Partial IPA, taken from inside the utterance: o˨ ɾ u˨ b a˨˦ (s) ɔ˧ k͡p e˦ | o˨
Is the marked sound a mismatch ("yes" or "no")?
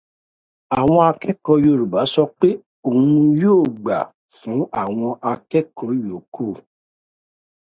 no